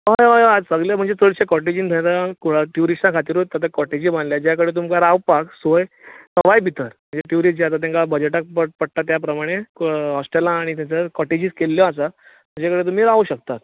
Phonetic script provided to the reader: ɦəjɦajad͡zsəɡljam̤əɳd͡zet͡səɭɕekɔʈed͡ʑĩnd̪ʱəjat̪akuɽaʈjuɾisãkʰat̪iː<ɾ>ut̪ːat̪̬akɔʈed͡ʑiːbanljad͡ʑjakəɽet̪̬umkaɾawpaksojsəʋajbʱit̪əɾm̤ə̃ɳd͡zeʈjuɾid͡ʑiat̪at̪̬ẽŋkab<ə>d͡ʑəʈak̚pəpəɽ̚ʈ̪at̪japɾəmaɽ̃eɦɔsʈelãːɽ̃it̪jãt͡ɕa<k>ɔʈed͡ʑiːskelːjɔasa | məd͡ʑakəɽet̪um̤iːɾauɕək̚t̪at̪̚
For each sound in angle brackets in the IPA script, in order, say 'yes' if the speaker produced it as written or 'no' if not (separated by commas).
yes, yes, yes